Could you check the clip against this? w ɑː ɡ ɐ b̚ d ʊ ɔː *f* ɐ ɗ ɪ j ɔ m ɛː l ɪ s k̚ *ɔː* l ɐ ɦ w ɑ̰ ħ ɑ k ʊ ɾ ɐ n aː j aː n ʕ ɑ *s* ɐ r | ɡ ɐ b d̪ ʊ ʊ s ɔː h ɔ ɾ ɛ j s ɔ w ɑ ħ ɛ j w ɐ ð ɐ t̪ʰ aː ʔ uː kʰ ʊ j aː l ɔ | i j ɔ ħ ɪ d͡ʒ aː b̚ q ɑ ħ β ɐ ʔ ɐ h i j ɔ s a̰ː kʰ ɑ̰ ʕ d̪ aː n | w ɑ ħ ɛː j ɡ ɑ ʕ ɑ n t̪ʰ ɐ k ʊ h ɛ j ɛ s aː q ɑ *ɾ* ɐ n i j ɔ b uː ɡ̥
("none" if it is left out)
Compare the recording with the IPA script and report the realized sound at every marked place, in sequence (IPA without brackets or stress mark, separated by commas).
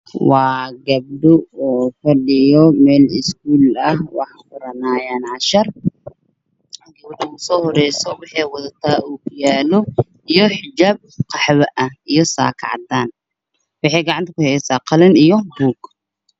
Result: f, uː, ʃ, l